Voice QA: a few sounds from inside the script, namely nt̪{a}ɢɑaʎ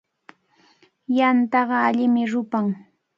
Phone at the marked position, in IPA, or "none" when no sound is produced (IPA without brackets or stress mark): ɑ